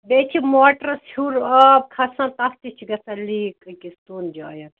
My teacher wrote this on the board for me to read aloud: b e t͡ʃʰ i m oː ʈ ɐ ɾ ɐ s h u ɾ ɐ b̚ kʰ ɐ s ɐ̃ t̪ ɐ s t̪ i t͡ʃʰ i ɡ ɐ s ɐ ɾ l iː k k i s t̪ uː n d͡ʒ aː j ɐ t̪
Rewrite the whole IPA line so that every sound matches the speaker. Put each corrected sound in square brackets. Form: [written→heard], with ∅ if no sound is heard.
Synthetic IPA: b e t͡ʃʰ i m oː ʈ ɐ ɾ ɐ s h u ɾ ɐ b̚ kʰ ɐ s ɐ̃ t̪ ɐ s t̪ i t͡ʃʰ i ɡ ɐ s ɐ [ɾ→∅] l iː k k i s t̪ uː n d͡ʒ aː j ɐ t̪